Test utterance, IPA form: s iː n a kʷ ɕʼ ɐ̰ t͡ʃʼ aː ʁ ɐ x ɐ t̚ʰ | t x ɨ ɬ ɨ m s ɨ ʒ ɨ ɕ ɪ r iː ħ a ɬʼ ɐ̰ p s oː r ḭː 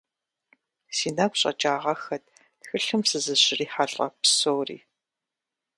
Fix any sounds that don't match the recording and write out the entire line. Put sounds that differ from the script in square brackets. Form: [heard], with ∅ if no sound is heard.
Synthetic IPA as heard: s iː n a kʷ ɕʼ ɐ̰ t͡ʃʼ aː ʁ ɐ x ɐ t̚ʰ | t x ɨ ɬ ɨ m s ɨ [z] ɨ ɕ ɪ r iː ħ a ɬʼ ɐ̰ p s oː r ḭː